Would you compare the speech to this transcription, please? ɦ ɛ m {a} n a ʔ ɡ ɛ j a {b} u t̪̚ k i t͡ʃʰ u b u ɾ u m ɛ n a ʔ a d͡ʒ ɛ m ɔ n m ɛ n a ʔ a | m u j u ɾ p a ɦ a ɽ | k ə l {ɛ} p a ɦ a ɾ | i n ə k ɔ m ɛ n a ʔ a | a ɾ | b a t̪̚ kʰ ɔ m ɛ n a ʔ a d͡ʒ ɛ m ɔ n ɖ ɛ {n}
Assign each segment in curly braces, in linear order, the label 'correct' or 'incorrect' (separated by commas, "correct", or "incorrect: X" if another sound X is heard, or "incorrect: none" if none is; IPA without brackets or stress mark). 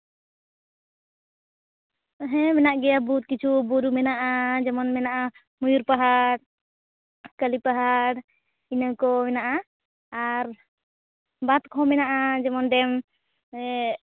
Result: incorrect: ɛ, correct, incorrect: i, incorrect: m